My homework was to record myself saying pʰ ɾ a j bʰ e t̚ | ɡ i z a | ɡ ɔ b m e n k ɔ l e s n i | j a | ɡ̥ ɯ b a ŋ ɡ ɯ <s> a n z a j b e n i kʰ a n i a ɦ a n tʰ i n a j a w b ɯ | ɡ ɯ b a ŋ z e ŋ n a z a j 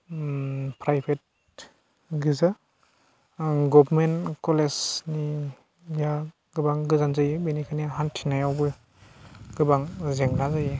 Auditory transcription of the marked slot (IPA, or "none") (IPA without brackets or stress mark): z